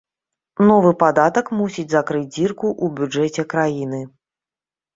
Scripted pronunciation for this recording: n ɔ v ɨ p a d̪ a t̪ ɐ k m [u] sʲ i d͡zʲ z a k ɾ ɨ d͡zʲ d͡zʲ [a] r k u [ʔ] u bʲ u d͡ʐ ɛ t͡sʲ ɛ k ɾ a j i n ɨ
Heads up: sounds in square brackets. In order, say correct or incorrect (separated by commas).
correct, incorrect, correct